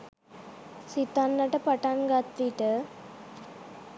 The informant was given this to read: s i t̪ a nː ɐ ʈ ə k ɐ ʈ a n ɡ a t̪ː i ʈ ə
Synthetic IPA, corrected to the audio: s i t̪ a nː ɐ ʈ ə p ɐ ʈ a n ɡ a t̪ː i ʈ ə